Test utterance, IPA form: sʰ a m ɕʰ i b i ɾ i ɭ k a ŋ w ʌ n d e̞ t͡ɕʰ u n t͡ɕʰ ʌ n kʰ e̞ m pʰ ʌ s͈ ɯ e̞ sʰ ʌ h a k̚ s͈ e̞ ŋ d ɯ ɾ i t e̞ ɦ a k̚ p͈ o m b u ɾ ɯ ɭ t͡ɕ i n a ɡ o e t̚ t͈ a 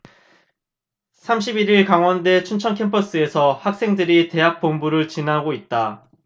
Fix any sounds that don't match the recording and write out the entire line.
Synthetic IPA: sʰ a m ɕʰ i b i ɾ i ɭ k a ŋ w ʌ n d e̞ t͡ɕʰ u n t͡ɕʰ ʌ n kʰ e̞ m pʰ ʌ s͈ ɯ e̞ sʰ ʌ h a k̚ s͈ e̞ ŋ d ɯ ɾ i t e̞ ɦ a k̚ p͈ o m b u ɾ ɯ ɭ t͡ɕ i n a ɡ o i t̚ t͈ a

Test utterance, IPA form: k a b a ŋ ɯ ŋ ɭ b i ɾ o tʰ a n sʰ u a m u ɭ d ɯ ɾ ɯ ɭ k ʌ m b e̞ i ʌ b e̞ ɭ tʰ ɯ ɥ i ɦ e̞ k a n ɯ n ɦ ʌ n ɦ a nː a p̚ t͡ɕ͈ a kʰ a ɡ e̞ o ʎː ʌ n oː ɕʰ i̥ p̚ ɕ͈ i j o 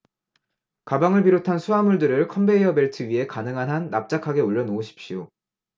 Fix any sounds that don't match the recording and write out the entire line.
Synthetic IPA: k a b a ŋ ɯ ɭ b i ɾ o tʰ a n sʰ u a m u ɭ d ɯ ɾ ɯ ɭ kʰ ʌ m b e̞ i ʌ b e̞ ɭ tʰ ɯ ɥ i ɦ e̞ k a n ɯ ŋ ɦ a n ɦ a nː a p̚ t͡ɕ͈ a kʰ a ɡ e̞ o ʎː ʌ n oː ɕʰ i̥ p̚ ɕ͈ i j o

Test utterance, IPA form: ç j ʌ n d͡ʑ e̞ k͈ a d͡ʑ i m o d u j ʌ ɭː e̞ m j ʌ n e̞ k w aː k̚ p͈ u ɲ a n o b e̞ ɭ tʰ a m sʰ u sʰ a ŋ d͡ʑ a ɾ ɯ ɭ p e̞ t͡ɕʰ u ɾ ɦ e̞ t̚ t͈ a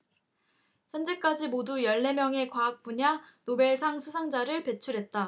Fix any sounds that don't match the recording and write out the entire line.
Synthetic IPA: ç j ʌ n d͡ʑ e̞ k͈ a d͡ʑ i m o d u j ʌ ɭː e̞ m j ʌ ŋ e̞ k w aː k̚ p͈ u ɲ a n o b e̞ ɭ sʰ a ŋ sʰ u sʰ a ŋ d͡ʑ a ɾ ɯ ɭ p e̞ t͡ɕʰ u ɾ ɦ e̞ t̚ t͈ a

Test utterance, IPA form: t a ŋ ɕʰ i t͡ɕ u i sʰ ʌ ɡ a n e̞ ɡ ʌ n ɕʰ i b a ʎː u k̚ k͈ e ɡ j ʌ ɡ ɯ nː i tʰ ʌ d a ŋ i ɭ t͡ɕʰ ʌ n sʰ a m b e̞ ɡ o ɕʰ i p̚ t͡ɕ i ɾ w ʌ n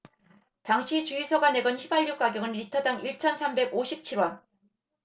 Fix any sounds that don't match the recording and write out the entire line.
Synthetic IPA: t a ŋ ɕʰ i t͡ɕ u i sʰ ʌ ɡ a n e̞ ɡ ʌ n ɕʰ i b a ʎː u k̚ k͈ a ɡ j ʌ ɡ ɯ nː i tʰ ʌ d a ŋ i ɭ t͡ɕʰ ʌ n sʰ a m b e̞ ɡ o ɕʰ i p̚ t͡ɕʰ i ɾ w ʌ n

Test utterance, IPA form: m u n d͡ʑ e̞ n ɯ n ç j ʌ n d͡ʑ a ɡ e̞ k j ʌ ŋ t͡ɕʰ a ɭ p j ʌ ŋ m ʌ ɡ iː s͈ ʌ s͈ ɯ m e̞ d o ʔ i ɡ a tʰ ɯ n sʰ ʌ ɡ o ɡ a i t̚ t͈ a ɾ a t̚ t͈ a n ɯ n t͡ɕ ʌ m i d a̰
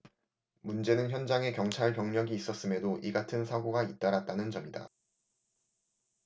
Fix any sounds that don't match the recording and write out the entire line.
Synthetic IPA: m u n d͡ʑ e̞ n ɯ n ç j ʌ n d͡ʑ a ŋ e̞ k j ʌ ŋ t͡ɕʰ a ɭ p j ʌ ŋ ɲ ʌ ɡ iː s͈ ʌ s͈ ɯ m e̞ d o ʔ i ɡ a tʰ ɯ n sʰ a ɡ o ɡ a i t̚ t͈ a ɾ a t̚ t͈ a n ɯ n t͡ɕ ʌ m i d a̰

